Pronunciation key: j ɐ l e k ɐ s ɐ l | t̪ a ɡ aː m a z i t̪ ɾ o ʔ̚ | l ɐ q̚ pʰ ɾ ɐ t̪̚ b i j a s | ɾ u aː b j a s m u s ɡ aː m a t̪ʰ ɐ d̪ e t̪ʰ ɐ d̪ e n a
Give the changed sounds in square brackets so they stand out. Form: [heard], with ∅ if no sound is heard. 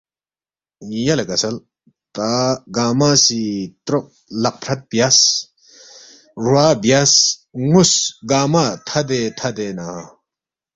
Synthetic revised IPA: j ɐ l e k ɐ s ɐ l | t̪ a ɡ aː m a [s] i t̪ ɾ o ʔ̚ | l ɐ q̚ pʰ ɾ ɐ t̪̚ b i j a s | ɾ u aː b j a s [ŋ] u s ɡ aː m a t̪ʰ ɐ d̪ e t̪ʰ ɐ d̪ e n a